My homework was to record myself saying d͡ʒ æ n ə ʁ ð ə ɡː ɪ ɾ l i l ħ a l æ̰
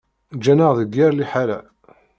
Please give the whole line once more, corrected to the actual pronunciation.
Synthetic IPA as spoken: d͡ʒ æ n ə ʁ ð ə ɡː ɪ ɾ l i ħ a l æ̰